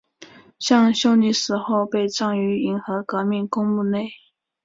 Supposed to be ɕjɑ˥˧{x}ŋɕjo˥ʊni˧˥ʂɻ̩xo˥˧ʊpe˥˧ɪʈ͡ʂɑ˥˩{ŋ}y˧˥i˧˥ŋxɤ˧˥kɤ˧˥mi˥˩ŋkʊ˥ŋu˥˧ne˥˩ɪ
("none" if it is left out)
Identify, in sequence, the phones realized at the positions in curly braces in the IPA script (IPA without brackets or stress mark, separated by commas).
none, ŋ